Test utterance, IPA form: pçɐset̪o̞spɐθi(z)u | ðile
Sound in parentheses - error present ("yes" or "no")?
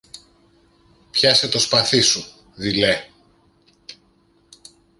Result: yes